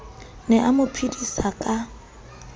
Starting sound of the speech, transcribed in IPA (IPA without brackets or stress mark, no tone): n